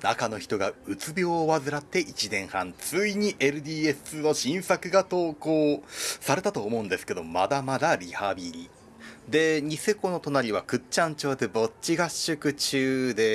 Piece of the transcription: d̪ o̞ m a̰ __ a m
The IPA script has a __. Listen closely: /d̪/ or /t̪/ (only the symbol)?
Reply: d̪